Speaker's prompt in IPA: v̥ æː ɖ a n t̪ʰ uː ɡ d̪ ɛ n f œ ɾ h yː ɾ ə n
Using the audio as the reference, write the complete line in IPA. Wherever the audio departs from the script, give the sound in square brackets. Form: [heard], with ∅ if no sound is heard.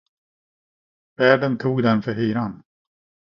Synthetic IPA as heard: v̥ æː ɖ [ə] n t̪ʰ uː ɡ d̪ ɛ n f œ ɾ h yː ɾ [a] n